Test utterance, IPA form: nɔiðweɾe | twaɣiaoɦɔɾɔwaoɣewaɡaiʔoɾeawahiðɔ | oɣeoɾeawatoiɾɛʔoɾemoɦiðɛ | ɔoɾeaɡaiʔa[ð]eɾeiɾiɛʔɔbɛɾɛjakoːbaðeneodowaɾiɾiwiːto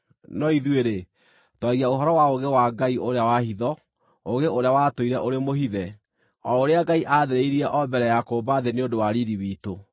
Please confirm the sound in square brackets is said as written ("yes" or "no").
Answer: yes